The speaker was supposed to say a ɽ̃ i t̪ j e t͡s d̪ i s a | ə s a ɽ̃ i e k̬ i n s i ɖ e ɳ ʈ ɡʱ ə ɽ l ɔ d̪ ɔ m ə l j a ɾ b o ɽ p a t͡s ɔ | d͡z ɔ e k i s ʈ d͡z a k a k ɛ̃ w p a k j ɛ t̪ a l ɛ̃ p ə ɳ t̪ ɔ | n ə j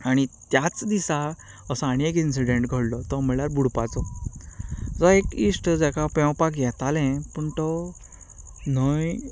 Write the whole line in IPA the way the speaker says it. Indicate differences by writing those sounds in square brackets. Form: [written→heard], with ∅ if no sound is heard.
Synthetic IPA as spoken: a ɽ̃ i t̪ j [e→a] t͡s d̪ i s a | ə s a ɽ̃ i e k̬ i n s i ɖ e ɳ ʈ ɡʱ ə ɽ l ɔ [d̪→t̪] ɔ m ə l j a ɾ b [o→u] ɽ p a t͡s ɔ | d͡z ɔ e k i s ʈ d͡z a k a [k→p] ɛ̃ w p a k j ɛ t̪ a l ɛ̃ p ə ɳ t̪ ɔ | n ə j